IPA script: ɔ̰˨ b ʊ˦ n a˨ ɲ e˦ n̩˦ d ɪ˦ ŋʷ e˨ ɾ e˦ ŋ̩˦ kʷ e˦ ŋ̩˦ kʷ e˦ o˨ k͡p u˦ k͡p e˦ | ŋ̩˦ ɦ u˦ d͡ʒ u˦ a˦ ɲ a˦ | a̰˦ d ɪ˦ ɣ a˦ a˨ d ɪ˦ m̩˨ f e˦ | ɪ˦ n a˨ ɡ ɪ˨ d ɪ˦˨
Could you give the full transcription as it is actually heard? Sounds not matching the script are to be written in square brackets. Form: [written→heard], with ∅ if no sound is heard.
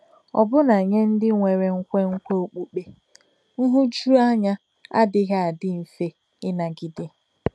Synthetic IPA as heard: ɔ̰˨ b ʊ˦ n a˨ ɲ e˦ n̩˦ d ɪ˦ ŋʷ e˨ ɾ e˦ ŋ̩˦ kʷ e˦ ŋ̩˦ kʷ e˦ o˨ k͡p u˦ k͡p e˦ | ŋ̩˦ ɦ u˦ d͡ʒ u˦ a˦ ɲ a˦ | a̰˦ d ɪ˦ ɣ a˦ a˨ d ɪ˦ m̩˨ f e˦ | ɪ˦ n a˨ ɡ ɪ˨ d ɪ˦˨

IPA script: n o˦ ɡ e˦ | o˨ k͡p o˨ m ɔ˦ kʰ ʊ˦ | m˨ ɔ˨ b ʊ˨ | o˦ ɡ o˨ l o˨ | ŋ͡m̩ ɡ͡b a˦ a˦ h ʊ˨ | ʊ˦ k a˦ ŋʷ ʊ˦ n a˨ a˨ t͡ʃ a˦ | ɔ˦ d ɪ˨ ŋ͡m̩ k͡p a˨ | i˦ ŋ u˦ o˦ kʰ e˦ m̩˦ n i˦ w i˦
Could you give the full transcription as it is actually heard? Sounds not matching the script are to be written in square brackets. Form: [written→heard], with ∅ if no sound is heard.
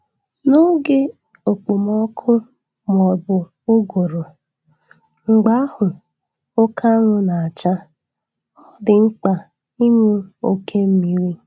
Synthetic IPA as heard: n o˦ ɡ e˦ | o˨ k͡p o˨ m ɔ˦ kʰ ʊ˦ | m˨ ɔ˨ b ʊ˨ | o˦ ɡ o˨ [l→ɾ] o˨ | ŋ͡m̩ ɡ͡b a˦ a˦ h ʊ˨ | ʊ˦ k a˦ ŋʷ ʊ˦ n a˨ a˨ t͡ʃ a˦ | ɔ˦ d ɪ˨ ŋ͡m̩ k͡p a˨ | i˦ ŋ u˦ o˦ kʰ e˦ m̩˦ [n→m] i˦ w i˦

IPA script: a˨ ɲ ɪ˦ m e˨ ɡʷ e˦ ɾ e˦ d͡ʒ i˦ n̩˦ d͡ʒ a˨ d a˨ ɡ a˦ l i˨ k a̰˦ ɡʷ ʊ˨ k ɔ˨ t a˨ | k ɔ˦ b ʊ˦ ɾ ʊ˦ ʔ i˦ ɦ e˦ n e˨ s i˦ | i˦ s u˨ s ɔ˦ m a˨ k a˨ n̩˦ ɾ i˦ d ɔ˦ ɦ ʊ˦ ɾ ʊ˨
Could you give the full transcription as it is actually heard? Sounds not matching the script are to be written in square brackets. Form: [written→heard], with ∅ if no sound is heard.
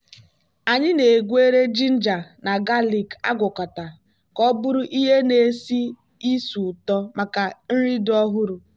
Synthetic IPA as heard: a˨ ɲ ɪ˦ [m→n] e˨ ɡʷ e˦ ɾ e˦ d͡ʒ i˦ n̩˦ d͡ʒ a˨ [d→n] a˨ ɡ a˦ l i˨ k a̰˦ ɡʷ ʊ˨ k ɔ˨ t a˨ | k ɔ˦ b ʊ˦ ɾ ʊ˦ ʔ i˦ ɦ e˦ n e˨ s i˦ | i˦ s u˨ [s→t] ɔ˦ m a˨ k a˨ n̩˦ ɾ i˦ d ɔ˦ ɦ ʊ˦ ɾ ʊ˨

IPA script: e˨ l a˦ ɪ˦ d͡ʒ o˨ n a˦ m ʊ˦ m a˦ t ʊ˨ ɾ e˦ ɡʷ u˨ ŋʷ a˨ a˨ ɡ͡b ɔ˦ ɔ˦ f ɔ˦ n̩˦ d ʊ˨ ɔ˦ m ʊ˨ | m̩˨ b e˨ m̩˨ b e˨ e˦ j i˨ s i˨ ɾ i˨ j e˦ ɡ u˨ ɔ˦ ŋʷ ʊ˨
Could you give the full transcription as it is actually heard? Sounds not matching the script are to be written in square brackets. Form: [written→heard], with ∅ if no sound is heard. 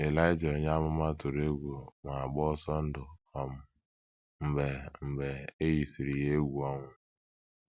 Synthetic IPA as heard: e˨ l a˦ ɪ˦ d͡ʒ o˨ [n→ɲ] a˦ m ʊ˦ m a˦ t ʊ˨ ɾ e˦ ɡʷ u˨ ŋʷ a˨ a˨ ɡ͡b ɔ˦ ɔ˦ [f→s] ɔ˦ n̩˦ d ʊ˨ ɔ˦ m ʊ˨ | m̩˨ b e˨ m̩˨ b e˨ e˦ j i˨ s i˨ ɾ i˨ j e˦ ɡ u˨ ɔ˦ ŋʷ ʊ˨

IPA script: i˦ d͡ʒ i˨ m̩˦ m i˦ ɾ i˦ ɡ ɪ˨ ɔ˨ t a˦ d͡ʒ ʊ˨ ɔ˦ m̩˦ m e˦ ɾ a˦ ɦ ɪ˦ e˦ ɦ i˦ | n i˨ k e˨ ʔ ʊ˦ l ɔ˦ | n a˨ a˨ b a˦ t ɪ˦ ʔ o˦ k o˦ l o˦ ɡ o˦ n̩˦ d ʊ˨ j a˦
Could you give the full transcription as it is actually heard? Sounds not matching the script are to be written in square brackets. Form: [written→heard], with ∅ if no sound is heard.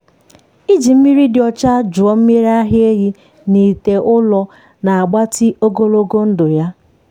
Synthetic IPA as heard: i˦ d͡ʒ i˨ m̩˦ m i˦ ɾ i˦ [ɡ→d] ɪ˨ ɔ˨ [t→t͡ʃ] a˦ d͡ʒ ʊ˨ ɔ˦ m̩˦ m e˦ ɾ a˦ ɦ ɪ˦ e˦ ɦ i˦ | n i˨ [k→t] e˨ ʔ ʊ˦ l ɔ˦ | n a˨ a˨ [b→ɡ͡b] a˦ t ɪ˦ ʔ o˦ [k→ɡ] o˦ l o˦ ɡ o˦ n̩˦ d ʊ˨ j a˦

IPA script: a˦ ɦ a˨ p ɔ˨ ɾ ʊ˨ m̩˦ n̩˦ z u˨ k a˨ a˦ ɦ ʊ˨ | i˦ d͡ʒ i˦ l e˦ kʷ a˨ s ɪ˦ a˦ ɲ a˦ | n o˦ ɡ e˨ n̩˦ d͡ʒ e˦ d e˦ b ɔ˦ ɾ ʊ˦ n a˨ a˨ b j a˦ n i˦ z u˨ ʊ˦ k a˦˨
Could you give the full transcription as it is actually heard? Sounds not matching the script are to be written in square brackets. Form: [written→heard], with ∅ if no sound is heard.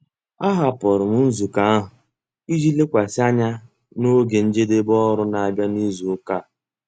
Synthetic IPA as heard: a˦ ɦ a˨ p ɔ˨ ɾ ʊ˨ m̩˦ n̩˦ z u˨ k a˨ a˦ ɦ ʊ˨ | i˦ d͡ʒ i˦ l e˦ kʷ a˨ s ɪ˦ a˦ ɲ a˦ | n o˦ ɡ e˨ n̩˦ d͡ʒ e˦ d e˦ b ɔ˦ ɾ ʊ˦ n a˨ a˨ b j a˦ n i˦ z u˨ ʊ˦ k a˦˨

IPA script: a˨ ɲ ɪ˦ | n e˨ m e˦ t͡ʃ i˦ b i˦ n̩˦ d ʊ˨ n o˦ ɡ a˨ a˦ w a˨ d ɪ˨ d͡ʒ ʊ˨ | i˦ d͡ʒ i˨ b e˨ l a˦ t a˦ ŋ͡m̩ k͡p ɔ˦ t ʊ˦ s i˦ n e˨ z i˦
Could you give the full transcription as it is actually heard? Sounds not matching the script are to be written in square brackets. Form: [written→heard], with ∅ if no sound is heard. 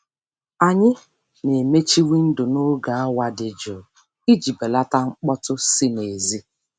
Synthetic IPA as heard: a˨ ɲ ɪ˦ | n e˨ m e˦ t͡ʃ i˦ [b→w] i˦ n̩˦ d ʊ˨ n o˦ ɡ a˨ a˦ w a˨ d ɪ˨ d͡ʒ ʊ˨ | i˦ d͡ʒ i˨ b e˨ l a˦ t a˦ ŋ͡m̩ k͡p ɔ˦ t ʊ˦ s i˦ n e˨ z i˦

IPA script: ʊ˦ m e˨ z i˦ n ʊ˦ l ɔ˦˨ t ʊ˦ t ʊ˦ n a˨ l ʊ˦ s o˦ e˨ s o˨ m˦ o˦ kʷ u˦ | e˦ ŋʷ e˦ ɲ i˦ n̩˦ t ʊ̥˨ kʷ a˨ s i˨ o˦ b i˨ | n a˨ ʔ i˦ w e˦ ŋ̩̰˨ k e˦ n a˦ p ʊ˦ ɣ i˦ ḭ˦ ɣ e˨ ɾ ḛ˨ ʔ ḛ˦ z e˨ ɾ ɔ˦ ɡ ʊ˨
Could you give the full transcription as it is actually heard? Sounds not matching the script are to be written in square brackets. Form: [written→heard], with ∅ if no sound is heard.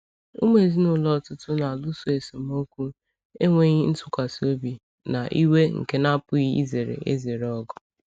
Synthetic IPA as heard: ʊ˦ m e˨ z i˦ n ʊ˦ l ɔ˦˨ t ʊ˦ t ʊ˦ n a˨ l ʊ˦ s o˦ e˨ s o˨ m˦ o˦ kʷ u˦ | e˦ ŋʷ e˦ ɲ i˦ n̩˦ t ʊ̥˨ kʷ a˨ s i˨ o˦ b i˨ | n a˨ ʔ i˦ w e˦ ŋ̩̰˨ k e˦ n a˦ p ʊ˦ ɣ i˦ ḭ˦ [ɣ→z] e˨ ɾ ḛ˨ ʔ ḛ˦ z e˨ ɾ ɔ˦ ɡ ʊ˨

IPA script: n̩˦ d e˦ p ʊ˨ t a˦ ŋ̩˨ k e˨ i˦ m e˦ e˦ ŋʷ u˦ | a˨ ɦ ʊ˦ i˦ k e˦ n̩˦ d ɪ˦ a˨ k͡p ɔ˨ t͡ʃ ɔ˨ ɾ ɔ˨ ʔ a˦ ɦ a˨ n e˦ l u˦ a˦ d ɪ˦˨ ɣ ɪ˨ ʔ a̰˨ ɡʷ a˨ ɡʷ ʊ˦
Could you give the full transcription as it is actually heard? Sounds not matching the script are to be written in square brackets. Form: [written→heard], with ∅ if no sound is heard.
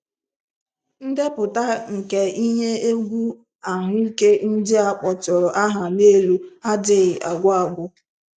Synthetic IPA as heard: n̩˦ d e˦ p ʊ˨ t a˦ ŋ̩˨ k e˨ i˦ [m→ɲ] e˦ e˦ [ŋʷ→ɡʷ] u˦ | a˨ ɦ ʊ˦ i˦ k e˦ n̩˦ d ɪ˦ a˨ k͡p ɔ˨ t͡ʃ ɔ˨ ɾ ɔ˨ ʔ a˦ ɦ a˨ n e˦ l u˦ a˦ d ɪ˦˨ ɣ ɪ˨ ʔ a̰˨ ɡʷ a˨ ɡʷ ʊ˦

